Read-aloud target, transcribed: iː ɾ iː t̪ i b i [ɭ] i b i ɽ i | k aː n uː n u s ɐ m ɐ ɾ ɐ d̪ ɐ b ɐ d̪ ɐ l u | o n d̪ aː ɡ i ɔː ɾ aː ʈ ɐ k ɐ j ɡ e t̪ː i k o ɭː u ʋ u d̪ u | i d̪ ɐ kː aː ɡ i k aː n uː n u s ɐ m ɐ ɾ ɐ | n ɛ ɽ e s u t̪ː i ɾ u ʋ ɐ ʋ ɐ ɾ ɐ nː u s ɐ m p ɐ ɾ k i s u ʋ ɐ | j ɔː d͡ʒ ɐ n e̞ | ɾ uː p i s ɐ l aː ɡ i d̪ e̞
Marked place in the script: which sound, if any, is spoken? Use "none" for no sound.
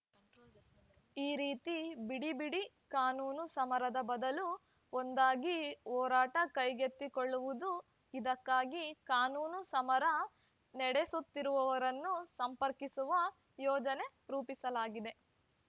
ɽ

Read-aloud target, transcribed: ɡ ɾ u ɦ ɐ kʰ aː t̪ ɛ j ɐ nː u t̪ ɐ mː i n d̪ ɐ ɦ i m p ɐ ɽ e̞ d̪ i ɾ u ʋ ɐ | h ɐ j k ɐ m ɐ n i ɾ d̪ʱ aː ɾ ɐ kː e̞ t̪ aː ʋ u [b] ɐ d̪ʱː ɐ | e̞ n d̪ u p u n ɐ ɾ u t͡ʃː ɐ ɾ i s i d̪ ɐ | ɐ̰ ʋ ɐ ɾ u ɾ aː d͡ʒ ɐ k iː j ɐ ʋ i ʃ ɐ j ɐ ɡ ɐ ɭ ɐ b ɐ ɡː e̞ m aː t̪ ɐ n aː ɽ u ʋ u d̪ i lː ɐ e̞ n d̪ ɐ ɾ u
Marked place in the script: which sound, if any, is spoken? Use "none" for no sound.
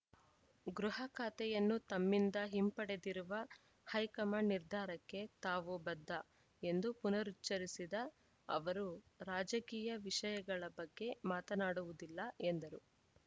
b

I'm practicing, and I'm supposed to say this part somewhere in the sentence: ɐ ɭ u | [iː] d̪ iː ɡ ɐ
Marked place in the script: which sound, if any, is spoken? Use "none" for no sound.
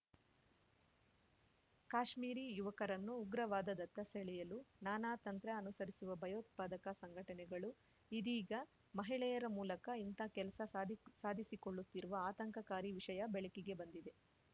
i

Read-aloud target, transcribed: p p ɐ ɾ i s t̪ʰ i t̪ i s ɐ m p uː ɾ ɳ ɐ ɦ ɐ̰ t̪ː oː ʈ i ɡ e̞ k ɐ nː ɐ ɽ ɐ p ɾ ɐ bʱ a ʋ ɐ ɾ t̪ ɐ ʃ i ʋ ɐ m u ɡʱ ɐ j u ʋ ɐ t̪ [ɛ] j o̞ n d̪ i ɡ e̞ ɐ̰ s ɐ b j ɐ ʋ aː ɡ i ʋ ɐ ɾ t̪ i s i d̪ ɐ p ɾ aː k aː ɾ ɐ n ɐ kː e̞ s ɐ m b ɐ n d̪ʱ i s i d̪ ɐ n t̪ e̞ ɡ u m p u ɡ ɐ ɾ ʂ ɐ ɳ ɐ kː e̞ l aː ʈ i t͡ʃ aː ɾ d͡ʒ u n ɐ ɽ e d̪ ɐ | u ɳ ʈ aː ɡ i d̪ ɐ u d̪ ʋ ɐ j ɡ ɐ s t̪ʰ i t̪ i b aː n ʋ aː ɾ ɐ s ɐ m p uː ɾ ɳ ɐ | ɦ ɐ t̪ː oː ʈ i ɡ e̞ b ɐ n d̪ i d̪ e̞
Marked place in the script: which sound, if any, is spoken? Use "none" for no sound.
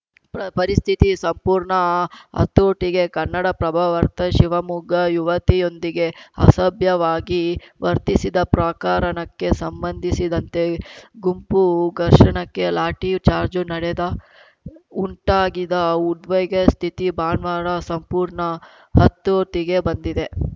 i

